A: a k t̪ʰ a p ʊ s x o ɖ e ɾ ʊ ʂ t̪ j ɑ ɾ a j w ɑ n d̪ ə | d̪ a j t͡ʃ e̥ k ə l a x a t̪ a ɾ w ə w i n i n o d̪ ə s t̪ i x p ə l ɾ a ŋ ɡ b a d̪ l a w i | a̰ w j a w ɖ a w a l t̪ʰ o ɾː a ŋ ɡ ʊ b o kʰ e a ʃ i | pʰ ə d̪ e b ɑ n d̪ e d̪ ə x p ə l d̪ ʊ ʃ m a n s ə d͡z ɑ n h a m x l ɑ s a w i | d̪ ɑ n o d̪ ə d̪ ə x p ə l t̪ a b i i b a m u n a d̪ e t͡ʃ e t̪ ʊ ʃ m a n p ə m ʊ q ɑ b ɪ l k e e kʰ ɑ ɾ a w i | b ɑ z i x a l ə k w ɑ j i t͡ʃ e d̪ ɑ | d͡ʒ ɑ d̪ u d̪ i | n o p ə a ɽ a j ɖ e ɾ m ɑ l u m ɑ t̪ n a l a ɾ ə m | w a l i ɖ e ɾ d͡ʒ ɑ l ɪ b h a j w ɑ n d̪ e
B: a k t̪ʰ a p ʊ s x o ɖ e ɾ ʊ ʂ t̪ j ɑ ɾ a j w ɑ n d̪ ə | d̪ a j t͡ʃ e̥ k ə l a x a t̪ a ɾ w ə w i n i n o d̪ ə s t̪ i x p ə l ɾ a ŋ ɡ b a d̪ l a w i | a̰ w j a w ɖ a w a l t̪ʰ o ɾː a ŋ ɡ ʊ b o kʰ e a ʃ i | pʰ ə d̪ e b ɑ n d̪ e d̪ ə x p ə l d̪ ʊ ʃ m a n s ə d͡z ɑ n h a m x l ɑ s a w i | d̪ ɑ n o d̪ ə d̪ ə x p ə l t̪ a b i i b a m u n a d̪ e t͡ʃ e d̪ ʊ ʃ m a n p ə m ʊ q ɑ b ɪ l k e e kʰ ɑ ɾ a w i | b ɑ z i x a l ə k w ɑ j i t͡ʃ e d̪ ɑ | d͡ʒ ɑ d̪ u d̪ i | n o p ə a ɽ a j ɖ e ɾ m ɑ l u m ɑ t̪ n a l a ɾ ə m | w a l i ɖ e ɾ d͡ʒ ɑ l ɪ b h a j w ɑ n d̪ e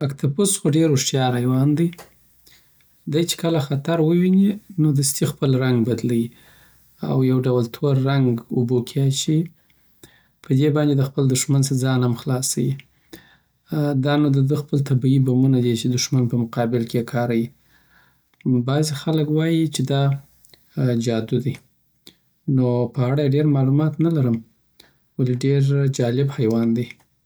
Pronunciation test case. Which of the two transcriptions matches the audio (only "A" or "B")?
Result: B